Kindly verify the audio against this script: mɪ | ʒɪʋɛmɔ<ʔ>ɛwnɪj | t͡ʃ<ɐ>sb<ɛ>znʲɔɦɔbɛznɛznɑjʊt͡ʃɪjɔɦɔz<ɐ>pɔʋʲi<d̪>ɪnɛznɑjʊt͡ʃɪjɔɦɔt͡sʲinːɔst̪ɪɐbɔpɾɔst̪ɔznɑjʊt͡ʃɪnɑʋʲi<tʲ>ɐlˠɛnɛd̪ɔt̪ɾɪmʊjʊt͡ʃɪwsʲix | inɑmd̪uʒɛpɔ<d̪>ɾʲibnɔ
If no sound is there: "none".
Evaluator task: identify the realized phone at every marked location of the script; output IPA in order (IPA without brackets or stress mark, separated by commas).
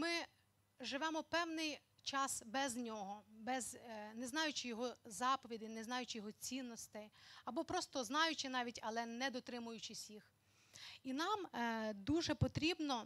p, ɑ, ɛ, ɑ, d̪, tʲ, t̪